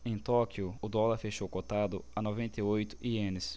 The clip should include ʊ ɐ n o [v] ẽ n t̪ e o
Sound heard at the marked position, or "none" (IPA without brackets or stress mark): v